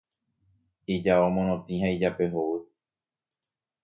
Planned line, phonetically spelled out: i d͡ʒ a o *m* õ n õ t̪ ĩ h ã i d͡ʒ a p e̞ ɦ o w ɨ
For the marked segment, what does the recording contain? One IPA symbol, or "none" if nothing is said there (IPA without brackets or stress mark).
m